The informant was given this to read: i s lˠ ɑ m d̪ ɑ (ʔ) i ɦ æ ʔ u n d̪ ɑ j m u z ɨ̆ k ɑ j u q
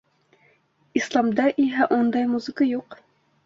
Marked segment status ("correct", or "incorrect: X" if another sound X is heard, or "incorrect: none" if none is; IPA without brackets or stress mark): correct